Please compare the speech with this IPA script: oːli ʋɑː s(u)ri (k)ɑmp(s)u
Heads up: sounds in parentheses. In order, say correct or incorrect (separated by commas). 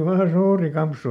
incorrect, correct, correct